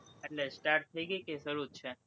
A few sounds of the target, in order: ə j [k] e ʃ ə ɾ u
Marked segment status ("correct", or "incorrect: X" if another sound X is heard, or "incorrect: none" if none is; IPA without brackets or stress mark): correct